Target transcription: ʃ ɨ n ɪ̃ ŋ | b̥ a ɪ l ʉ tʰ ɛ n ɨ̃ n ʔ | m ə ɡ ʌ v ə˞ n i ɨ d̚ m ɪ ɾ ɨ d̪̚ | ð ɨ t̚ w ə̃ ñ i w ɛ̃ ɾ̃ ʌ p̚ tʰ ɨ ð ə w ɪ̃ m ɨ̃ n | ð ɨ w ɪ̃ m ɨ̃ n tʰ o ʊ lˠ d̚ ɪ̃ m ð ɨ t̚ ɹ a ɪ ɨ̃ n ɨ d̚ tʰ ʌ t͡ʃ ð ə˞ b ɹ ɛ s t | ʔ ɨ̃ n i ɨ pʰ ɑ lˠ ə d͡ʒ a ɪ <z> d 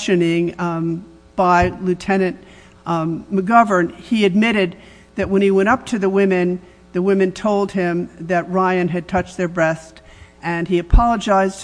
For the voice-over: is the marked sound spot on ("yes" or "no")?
yes